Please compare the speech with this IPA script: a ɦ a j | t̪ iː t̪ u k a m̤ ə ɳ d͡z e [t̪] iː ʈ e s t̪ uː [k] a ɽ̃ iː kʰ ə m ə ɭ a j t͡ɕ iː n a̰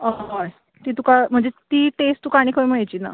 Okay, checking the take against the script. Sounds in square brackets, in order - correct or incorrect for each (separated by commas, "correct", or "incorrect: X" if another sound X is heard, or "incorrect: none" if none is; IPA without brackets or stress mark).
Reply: correct, correct